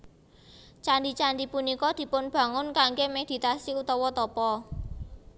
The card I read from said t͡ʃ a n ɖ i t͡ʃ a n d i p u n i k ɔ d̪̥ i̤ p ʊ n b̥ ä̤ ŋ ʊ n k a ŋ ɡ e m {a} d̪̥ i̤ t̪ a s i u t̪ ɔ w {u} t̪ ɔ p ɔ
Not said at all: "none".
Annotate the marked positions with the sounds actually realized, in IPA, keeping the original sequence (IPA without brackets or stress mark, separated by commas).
e, ɔ